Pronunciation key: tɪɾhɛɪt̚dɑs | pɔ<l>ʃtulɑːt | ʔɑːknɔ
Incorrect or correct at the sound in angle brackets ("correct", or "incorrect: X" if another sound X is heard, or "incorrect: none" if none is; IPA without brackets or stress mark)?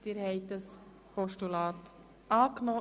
incorrect: none